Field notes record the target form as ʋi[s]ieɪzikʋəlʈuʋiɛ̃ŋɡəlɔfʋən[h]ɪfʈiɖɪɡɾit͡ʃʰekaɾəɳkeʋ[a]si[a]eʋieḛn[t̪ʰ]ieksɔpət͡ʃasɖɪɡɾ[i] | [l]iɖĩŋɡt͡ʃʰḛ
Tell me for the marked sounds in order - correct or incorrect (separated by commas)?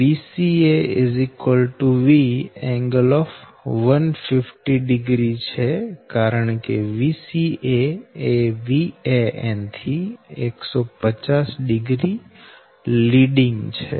correct, incorrect, incorrect, incorrect, correct, correct, correct